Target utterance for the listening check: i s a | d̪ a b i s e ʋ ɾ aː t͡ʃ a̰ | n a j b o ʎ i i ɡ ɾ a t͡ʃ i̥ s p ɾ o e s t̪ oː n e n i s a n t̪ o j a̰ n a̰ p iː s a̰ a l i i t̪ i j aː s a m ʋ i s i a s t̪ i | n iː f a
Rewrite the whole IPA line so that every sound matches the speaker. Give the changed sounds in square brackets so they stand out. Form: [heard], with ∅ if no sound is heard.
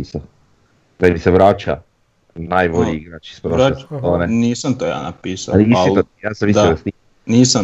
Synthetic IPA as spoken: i s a | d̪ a [m] i s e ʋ ɾ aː t͡ʃ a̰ | n a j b o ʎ i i ɡ ɾ a t͡ʃ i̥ s p ɾ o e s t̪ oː n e n i s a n t̪ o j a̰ n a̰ p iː s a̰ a l i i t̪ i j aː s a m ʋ i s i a s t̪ i | n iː [s] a